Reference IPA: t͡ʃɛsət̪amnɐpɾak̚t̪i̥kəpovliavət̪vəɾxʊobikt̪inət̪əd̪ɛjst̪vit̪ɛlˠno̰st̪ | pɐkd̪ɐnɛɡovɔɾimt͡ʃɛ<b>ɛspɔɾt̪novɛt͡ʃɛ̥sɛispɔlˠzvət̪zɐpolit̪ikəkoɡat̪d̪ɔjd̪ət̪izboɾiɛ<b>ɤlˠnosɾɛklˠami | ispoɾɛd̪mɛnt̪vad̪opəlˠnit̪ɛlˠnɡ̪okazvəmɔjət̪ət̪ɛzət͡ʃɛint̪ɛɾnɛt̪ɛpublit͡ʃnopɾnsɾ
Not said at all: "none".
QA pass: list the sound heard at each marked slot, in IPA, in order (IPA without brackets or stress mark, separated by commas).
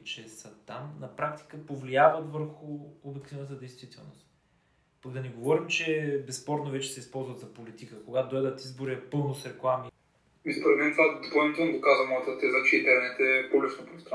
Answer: b, p